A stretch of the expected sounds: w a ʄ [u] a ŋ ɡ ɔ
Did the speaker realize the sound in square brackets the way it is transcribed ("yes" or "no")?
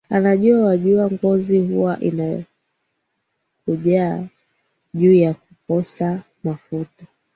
yes